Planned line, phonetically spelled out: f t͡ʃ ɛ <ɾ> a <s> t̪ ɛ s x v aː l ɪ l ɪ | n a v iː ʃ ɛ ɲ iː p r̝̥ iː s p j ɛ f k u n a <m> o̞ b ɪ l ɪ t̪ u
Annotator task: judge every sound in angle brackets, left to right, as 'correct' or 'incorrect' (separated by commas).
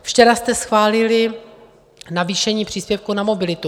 correct, correct, correct